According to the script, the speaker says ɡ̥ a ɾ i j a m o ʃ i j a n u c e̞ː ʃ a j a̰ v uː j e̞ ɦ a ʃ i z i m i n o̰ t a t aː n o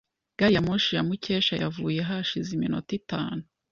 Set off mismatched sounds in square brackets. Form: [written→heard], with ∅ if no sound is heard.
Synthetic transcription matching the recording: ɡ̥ a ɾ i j a m o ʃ i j a [n→m] u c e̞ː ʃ a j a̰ v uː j e̞ ɦ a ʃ i z i m i n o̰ t [a→i] t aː n [o→u]